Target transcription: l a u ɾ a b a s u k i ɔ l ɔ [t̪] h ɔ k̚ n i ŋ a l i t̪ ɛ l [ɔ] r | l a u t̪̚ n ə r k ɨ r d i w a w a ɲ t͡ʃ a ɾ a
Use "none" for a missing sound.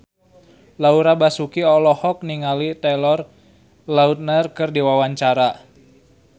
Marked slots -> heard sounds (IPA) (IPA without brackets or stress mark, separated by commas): none, ɔ